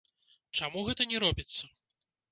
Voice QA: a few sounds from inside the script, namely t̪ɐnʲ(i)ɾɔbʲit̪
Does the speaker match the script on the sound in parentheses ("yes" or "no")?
no